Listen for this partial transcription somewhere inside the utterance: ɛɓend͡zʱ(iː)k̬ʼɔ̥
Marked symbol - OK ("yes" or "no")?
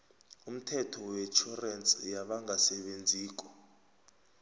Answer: yes